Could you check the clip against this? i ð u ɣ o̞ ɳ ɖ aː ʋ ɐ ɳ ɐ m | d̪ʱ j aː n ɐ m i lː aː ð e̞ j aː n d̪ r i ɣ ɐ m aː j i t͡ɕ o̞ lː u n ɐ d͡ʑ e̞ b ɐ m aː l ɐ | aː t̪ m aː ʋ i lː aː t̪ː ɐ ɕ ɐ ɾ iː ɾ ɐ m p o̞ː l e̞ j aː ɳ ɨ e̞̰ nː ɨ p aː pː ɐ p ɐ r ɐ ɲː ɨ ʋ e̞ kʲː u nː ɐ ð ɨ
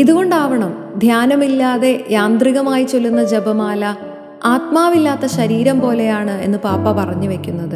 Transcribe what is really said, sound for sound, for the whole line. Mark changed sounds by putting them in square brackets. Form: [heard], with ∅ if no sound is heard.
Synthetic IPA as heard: i ð u ɣ o̞ ɳ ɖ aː ʋ ɐ ɳ ɐ m | d̪ʱ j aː n ɐ m i lː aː ð e̞ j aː n d̪ r i ɣ ɐ m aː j i t͡ɕ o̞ lː u [nː] ɐ d͡ʑ e̞ b ɐ m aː l ɐ | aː t̪ m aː ʋ i lː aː t̪ː ɐ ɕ ɐ ɾ iː ɾ ɐ m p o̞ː l e̞ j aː ɳ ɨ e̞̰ nː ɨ p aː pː ɐ p ɐ r ɐ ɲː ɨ ʋ e̞ kʲː u nː ɐ ð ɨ